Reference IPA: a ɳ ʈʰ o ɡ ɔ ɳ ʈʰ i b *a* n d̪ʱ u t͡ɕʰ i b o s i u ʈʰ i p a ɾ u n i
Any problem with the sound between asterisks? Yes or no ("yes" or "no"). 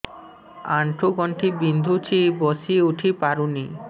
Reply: yes